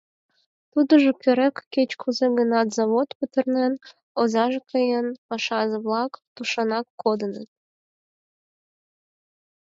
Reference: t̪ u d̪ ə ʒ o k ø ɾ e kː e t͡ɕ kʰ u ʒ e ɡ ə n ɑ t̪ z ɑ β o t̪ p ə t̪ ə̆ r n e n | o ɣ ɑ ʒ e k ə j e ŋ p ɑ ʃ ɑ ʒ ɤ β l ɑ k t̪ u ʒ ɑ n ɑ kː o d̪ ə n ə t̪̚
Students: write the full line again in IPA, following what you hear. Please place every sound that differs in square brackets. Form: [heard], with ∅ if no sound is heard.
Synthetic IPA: t̪ u d̪ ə ʒ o k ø ɾ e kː e t͡ɕ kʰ u [z] e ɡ ə n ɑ t̪ z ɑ β o t̪ p ə t̪ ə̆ r n e n | o [z] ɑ ʒ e k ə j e [n] p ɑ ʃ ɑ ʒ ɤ β l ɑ k t̪ u [ʃ] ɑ n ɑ kː o d̪ ə n ə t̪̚